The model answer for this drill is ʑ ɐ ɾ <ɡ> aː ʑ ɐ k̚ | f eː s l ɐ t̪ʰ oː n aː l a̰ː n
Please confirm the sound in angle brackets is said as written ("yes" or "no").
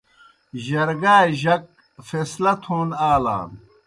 yes